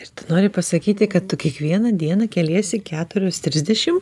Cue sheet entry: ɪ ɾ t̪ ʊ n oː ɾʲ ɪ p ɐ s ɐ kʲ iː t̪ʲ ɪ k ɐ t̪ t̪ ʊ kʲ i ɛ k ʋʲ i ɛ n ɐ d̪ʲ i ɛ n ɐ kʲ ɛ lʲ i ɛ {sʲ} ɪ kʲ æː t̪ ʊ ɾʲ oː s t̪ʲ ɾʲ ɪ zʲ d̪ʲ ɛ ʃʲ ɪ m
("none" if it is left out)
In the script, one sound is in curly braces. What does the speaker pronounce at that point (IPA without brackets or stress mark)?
sʲ